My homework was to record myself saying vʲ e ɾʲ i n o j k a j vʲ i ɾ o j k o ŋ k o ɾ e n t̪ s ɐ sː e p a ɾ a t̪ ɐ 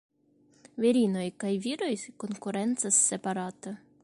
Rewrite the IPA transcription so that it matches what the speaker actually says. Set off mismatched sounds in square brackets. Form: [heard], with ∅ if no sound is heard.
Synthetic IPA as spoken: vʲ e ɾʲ i n o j k a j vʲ i ɾ o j k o [n] k [u] ɾ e n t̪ s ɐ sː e p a ɾ a t̪ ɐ